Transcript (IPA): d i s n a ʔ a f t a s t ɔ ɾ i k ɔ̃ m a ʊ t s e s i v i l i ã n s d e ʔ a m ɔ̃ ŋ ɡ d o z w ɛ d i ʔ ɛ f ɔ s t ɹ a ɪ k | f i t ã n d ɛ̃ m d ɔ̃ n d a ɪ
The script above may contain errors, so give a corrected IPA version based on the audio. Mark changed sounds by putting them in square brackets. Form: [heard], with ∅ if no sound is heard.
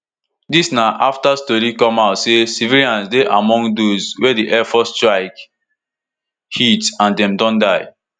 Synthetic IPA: d i s n a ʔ a f t a s t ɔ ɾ i k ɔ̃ m a ʊ t s e s i v i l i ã n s d e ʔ a m ɔ̃ ŋ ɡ d o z w ɛ d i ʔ ɛ f ɔ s t ɹ a ɪ k | [h] i t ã n d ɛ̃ m d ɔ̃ n d a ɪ